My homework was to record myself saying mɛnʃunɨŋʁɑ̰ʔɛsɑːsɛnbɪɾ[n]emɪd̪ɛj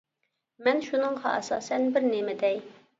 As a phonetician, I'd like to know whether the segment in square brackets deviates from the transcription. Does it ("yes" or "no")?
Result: no